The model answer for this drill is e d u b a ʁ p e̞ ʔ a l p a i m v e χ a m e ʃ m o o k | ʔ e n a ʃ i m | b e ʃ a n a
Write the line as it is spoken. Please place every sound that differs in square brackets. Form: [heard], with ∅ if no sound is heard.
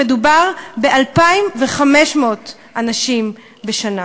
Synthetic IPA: e d u b a ʁ [b] e̞ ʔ a l p a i m v e χ a m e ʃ m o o [t] | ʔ [a] n a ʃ i m | b e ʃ a n a